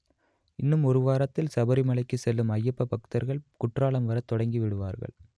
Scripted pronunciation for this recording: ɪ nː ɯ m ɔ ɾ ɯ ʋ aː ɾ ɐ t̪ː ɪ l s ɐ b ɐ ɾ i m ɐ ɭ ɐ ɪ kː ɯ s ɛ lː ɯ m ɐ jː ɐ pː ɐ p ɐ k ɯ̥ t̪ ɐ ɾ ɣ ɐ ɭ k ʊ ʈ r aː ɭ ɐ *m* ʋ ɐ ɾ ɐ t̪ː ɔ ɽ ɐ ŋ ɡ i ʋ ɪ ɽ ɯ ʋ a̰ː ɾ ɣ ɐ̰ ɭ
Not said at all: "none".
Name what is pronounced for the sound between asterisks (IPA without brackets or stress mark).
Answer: m